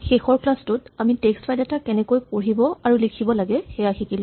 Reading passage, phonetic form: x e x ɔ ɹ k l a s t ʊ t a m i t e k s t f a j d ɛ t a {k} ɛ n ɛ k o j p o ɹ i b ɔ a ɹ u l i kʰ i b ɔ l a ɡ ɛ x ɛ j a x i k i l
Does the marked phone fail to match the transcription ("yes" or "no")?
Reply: no